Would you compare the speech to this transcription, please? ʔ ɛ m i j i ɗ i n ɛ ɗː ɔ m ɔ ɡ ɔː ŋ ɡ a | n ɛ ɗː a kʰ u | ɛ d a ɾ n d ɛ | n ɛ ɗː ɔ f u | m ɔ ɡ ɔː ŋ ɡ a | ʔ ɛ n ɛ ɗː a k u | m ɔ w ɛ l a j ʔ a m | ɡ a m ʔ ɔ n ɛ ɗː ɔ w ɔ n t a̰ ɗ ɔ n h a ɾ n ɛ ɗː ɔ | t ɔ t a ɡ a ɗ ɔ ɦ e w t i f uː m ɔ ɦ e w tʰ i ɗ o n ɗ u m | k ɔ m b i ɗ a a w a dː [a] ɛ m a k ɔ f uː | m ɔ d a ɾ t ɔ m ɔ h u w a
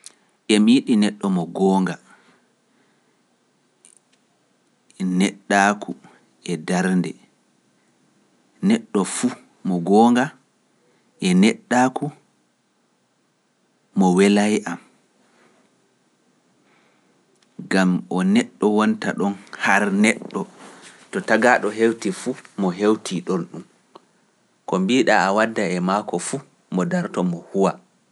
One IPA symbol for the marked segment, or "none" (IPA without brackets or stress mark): a